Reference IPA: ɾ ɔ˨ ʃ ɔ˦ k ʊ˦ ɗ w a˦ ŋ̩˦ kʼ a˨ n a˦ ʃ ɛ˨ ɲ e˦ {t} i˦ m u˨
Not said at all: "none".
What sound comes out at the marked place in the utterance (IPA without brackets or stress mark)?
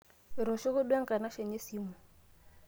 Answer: s